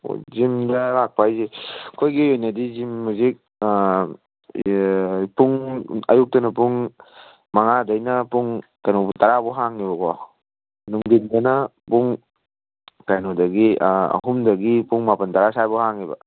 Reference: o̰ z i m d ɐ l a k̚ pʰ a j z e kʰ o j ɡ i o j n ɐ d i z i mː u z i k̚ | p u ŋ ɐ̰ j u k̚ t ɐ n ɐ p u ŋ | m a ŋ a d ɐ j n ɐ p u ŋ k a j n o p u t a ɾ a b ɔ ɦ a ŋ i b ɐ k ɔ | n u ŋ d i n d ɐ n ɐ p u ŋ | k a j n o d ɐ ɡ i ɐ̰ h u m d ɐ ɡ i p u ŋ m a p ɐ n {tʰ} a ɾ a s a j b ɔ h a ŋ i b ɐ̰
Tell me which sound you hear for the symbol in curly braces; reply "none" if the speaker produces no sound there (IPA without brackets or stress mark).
t